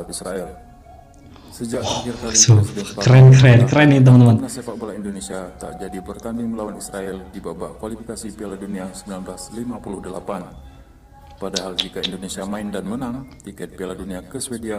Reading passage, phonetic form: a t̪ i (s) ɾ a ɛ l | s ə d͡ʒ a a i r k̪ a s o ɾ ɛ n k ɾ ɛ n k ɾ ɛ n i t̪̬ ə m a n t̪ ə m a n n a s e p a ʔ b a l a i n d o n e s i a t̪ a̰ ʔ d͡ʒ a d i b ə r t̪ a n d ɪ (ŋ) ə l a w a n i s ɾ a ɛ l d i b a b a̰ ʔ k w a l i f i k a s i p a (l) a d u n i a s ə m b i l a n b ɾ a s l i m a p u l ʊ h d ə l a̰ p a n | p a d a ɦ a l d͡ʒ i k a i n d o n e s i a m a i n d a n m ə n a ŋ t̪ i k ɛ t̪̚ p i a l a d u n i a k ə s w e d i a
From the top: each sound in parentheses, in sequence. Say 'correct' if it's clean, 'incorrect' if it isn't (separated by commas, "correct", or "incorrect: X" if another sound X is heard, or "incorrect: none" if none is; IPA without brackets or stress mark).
correct, correct, correct